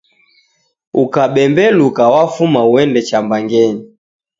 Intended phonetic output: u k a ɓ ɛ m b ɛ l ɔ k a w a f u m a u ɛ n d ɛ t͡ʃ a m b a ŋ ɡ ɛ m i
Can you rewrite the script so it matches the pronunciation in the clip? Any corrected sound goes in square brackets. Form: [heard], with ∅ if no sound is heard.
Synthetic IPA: u k a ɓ ɛ m b ɛ l [u] k a w a f u m a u ɛ n d ɛ t͡ʃ a m b a ŋ ɡ ɛ [ɲ] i

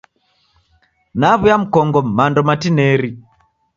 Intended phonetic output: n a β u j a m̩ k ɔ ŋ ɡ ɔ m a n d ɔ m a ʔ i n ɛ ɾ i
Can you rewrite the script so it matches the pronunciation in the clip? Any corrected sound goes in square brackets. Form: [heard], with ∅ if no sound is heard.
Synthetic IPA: n a β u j a m̩ k ɔ ŋ ɡ ɔ m a n d ɔ m a [t] i n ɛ ɾ i

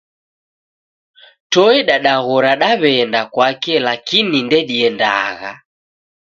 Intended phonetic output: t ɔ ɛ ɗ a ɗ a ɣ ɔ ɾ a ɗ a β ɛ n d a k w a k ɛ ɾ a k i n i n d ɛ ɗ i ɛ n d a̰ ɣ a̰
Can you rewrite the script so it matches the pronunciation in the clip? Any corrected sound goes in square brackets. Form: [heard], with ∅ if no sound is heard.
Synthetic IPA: t ɔ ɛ ɗ a ɗ a ɣ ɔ ɾ a ɗ a β ɛ n d a k w a k ɛ [l] a k i n i n d ɛ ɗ i ɛ n d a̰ ɣ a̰

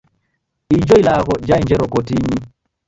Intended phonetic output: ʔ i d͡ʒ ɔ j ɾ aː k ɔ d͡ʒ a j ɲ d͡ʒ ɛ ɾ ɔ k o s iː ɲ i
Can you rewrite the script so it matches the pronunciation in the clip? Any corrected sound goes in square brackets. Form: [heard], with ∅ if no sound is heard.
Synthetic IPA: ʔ i d͡ʒ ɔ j [l] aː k ɔ d͡ʒ a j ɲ d͡ʒ ɛ ɾ ɔ k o [t] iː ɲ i

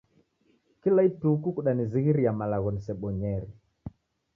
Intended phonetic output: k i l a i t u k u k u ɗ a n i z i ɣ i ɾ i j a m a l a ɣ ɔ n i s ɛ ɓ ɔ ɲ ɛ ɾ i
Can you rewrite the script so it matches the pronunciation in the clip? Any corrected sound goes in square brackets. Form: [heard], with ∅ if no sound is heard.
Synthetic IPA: k i l a i t u k u k u ɗ a n i z i ɣ i ɾ i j a m a l a ɣ ɔ n i s ɛ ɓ ɔ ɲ ɛ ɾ i

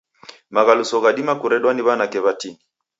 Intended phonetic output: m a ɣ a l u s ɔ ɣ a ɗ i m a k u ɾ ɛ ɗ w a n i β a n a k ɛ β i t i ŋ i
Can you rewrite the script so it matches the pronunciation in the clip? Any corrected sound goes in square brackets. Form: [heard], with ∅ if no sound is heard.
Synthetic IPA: m a ɣ a l u s ɔ ɣ a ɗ i m a k u ɾ ɛ ɗ w a n i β a n a k ɛ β [a] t i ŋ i

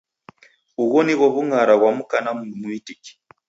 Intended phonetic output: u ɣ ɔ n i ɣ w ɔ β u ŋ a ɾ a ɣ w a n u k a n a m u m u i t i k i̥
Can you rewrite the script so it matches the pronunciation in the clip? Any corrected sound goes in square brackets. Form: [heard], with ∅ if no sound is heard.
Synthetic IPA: u ɣ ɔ n i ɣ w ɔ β u ŋ a ɾ a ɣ w a [m] u k a n a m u m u i t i k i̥

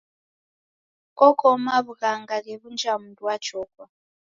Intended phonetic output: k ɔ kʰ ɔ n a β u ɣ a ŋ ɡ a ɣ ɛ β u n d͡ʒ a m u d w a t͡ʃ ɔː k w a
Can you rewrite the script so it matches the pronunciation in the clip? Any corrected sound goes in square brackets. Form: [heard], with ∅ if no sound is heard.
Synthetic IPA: k ɔ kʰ ɔ [m] a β u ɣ a ŋ ɡ a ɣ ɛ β u n d͡ʒ a m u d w a t͡ʃ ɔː k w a

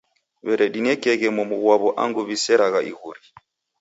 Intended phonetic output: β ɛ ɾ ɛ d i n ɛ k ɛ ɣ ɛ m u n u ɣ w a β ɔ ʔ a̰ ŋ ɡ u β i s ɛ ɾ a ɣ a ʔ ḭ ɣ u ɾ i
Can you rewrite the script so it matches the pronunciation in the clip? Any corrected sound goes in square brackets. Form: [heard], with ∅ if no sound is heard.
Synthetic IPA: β ɛ ɾ ɛ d i n ɛ k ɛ ɣ ɛ m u [m] u ɣ w a β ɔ ʔ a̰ ŋ ɡ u β i s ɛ ɾ a ɣ a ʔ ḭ ɣ u ɾ i

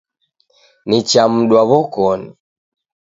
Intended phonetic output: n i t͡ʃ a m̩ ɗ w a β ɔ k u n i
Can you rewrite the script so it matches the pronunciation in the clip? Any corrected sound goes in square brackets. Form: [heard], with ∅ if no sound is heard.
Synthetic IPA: n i t͡ʃ a m̩ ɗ w a β ɔ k [ɔ] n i

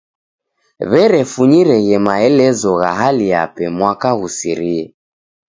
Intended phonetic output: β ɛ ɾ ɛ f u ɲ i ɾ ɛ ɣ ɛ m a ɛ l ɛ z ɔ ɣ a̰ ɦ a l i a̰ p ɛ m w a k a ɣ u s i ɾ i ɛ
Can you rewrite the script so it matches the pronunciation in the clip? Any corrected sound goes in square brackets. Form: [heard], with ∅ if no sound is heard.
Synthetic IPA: β ɛ ɾ ɛ f u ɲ i ɾ ɛ ɣ ɛ m a ɛ l ɛ z ɔ ɣ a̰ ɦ a l i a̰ p ɛ m w a k a ɣ u s i ɾ i ɛ

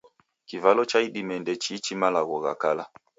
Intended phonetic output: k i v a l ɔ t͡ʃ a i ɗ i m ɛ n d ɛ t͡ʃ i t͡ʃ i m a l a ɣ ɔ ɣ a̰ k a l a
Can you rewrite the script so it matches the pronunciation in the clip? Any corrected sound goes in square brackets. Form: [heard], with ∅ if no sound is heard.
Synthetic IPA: k i v a l ɔ t͡ʃ a i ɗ i m ɛ n d ɛ t͡ʃ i t͡ʃ i m a l a ɣ ɔ ɣ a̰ k a l a

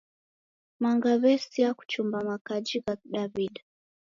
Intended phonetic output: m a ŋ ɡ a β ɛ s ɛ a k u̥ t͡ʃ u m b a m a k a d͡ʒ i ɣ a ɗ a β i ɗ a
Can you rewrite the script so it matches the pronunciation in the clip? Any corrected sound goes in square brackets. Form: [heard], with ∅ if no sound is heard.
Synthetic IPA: m a ŋ ɡ a β ɛ s [i] a k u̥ t͡ʃ u m b a m a k a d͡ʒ i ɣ a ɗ a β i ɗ a

